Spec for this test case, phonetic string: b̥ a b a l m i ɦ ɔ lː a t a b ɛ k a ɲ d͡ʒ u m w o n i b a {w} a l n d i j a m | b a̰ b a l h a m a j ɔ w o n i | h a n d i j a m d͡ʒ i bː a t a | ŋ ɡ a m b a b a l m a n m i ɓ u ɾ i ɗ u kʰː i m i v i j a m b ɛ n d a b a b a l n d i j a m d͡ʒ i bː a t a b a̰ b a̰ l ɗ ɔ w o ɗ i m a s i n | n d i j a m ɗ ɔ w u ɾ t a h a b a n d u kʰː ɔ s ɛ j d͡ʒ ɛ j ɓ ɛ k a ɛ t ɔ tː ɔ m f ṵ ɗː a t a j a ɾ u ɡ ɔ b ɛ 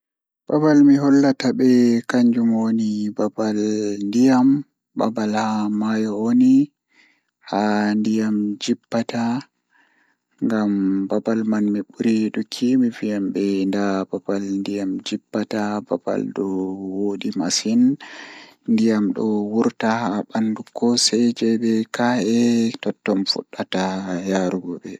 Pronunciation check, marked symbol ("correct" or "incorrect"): incorrect